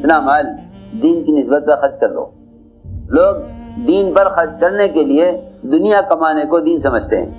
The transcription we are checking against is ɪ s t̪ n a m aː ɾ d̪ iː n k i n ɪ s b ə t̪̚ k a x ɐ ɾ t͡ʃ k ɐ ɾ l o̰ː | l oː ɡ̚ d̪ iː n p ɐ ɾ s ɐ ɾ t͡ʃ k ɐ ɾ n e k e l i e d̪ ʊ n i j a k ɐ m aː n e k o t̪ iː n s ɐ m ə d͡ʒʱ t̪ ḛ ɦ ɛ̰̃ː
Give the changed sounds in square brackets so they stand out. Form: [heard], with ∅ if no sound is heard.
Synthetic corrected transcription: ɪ [∅] t̪ n a m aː [l] d̪ iː n k i n ɪ s b ə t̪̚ k a x ɐ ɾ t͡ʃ k ɐ ɾ l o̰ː | l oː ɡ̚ d̪ iː n p ɐ ɾ [x] ɐ ɾ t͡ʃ k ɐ ɾ n e k e l i e d̪ ʊ n i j a k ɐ m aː n e k o [d̪] iː n s ɐ m ə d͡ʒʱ t̪ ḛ ɦ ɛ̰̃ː